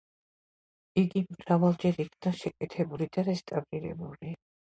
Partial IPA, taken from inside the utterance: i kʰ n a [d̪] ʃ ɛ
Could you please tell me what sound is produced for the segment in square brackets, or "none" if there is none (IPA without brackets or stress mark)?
none